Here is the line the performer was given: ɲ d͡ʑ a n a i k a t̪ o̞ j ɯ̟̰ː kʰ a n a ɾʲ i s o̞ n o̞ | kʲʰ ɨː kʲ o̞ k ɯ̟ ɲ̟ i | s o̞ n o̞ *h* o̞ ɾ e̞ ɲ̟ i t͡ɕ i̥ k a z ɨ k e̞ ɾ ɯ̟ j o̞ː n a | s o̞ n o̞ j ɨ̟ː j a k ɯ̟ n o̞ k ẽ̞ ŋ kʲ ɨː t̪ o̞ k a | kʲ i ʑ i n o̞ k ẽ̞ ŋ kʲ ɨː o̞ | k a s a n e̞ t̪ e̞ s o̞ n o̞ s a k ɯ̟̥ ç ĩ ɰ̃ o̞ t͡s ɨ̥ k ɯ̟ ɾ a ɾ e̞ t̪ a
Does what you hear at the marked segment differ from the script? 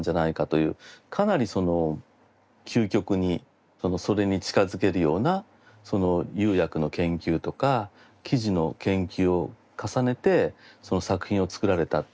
yes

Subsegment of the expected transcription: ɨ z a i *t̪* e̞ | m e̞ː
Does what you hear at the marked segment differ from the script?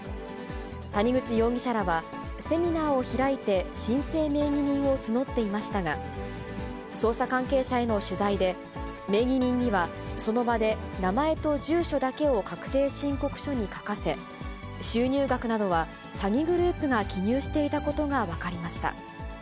yes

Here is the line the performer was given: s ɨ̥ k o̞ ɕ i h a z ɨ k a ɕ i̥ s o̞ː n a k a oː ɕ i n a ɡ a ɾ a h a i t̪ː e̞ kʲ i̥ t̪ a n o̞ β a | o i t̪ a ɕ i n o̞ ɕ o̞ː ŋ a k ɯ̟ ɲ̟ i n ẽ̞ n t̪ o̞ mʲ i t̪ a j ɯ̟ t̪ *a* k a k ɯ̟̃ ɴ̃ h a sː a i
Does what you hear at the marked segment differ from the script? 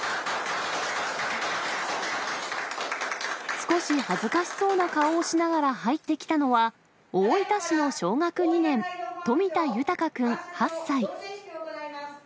no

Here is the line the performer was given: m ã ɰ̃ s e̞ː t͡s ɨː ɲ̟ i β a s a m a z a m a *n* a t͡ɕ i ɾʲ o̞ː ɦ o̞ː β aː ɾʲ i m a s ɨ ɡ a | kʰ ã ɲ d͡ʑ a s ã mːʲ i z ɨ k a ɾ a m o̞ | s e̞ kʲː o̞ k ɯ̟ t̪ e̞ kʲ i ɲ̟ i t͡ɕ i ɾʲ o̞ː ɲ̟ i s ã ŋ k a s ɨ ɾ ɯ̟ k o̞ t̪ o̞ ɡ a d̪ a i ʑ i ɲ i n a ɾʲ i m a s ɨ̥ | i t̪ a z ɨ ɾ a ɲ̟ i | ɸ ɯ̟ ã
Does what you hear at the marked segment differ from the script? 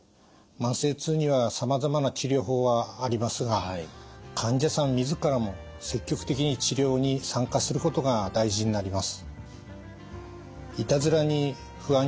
no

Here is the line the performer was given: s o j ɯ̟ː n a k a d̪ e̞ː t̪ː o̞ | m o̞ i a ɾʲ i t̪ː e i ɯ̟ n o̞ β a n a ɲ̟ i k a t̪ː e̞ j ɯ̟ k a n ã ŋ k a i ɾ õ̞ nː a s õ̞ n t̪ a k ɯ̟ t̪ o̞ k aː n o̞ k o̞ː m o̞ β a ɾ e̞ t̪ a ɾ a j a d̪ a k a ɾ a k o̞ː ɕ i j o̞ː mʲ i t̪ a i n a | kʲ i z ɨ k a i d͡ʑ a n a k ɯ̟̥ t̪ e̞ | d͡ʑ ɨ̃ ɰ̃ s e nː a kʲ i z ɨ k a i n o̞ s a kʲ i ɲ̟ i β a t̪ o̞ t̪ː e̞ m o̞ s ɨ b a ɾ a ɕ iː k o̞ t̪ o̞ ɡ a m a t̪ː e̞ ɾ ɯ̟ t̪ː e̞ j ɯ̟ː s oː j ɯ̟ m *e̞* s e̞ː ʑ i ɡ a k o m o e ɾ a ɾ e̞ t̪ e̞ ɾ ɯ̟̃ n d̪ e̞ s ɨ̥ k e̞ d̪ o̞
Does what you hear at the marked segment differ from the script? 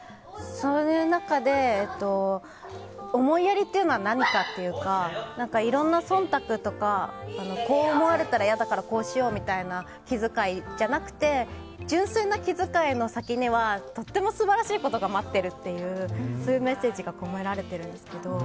no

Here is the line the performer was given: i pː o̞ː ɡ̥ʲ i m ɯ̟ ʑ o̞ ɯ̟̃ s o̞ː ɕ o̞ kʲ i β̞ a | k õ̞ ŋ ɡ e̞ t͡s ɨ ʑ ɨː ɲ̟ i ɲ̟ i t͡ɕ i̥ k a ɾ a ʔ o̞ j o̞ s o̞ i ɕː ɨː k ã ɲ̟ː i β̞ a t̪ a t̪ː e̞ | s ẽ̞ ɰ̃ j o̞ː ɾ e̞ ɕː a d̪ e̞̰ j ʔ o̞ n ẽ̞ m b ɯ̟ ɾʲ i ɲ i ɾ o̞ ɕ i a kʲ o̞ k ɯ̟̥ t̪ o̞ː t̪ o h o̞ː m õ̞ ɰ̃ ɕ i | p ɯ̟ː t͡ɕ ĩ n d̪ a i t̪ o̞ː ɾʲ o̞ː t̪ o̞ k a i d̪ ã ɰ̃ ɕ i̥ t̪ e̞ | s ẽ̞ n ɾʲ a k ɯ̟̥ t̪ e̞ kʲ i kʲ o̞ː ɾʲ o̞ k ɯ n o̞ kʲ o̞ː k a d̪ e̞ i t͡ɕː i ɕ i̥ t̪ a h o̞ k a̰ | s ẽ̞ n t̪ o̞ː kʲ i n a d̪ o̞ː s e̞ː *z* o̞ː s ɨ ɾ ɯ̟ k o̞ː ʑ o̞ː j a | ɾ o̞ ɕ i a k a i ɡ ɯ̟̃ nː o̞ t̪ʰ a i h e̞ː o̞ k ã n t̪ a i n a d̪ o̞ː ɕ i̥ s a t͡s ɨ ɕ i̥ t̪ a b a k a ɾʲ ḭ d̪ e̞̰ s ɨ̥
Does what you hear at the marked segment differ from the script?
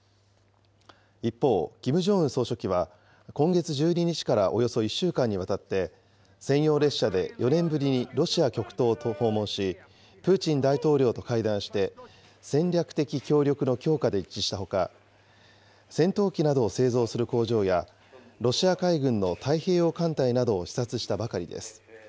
no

